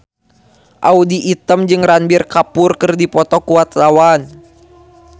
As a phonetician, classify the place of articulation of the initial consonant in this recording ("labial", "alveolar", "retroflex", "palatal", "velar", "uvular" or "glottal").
glottal